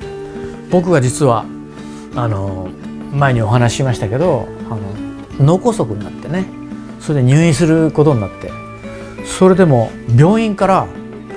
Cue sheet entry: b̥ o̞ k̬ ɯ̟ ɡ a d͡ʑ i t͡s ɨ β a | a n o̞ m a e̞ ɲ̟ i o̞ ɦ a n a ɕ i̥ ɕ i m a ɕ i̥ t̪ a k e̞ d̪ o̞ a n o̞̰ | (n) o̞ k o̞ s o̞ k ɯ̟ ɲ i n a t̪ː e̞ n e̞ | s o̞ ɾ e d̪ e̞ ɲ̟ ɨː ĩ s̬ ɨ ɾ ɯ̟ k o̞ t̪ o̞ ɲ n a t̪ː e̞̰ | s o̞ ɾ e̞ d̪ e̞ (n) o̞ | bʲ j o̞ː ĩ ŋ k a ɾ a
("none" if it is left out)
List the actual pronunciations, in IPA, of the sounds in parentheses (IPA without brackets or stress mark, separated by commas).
n, m